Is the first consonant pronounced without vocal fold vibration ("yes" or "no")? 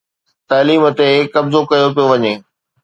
yes